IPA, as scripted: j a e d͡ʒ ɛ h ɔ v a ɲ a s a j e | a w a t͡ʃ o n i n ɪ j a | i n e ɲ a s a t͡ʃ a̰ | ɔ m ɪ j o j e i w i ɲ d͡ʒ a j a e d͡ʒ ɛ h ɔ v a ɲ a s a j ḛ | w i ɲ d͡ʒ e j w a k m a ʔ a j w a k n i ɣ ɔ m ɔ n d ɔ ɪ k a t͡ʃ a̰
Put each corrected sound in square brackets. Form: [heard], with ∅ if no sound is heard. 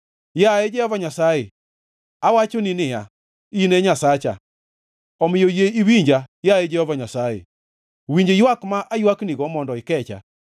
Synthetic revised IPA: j a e d͡ʒ ɛ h ɔ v a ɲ a s a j e | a w a t͡ʃ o n i n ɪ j a | i n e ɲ a s a t͡ʃ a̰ | ɔ m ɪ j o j e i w i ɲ d͡ʒ a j a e d͡ʒ ɛ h ɔ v a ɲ a s a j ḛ | w i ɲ d͡ʒ e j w a k m a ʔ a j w a k n i ɣ ɔ m ɔ n d ɔ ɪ k [ɛ] t͡ʃ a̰